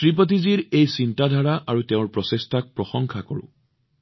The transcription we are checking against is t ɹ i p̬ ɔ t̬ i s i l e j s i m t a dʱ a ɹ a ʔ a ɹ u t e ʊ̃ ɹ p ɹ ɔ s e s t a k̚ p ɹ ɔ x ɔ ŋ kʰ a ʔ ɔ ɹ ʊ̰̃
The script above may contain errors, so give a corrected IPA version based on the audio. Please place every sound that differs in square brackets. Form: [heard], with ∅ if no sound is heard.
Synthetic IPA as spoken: t ɹ i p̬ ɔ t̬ i [z] i [ɹ] e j s i [n] t a dʱ a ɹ a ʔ a ɹ u t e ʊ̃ ɹ p ɹ ɔ s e s t a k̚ p ɹ ɔ x ɔ ŋ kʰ a [k] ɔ ɹ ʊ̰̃